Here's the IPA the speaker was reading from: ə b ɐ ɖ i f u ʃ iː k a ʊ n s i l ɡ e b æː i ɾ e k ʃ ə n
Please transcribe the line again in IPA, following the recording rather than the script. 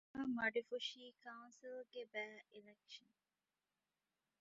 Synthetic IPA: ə m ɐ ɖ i f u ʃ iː k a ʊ n s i l ɡ e b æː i l e k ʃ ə n